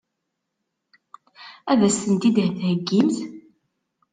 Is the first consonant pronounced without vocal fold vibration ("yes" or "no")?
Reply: no